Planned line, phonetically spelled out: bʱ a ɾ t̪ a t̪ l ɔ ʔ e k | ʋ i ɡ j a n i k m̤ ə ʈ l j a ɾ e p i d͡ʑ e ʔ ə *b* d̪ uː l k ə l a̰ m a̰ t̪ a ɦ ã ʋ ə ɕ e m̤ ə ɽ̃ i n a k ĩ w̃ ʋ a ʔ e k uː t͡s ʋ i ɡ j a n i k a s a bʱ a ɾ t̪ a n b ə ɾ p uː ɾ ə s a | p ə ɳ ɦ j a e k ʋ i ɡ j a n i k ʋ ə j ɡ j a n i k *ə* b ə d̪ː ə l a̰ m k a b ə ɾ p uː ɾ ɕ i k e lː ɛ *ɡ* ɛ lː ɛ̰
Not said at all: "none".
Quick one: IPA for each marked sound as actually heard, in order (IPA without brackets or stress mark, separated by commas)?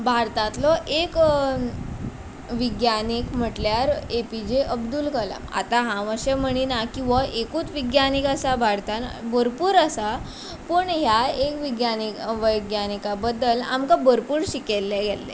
b, a, ɡ